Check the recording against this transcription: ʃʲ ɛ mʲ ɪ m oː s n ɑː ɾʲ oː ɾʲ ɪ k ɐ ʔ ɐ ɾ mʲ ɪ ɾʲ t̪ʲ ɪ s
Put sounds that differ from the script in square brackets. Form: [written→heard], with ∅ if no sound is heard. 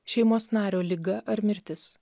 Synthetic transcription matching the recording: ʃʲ ɛ [mʲ→∅] ɪ m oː s n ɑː ɾʲ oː [ɾʲ→lʲ] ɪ [k→ɡ] ɐ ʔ ɐ ɾ mʲ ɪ ɾʲ t̪ʲ ɪ s